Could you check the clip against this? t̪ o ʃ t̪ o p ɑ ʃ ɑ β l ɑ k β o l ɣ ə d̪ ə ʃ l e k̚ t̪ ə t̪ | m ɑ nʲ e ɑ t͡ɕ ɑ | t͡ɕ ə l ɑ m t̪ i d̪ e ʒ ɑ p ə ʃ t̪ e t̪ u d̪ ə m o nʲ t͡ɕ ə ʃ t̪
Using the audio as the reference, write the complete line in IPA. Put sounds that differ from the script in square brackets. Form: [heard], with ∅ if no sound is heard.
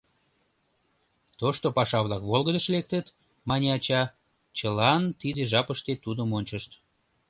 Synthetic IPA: t̪ o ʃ t̪ o p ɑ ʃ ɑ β l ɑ k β o l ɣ ə d̪ ə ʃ l e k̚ t̪ ə t̪ | m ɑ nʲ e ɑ t͡ɕ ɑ | t͡ɕ ə l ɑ [n] t̪ i d̪ e ʒ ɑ p ə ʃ t̪ e t̪ u d̪ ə m o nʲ t͡ɕ ə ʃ t̪